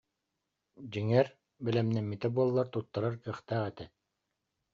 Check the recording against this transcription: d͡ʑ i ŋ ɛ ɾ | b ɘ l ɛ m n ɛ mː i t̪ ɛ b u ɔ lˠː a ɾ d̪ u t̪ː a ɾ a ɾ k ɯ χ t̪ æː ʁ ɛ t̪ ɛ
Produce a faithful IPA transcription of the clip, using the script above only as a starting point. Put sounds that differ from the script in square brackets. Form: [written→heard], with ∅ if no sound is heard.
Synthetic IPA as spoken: d͡ʑ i ŋ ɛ ɾ | b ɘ l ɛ m n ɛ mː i t̪ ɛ b u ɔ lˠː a ɾ [d̪→t̪] u t̪ː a ɾ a ɾ k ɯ χ t̪ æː ʁ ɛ t̪ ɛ